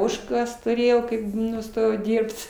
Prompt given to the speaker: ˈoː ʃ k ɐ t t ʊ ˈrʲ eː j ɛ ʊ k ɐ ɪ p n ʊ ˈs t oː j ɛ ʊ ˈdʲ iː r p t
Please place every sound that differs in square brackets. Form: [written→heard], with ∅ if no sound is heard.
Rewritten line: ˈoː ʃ k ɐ [t→s] t ʊ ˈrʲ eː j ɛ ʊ k ɐ ɪ p n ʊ ˈs t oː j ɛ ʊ ˈdʲ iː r p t